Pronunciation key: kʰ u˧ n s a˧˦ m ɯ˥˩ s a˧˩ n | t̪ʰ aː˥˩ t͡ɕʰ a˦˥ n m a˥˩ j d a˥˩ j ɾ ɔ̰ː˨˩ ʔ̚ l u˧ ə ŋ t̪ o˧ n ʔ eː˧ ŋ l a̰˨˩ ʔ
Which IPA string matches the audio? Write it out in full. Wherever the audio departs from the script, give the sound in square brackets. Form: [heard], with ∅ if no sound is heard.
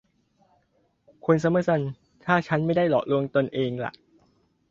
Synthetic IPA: kʰ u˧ n s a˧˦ m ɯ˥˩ s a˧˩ n | t̪ʰ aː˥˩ t͡ɕʰ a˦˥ n m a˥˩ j d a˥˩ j [l] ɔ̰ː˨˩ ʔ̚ l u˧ ə ŋ t̪ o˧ n ʔ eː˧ ŋ l a̰˨˩ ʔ